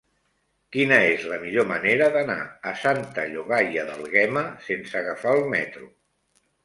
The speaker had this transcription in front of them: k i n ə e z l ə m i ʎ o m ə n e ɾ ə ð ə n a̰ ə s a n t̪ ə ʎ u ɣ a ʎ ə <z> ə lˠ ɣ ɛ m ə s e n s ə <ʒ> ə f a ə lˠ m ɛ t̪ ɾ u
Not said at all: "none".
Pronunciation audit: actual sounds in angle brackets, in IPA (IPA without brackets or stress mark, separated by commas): ð, ɣ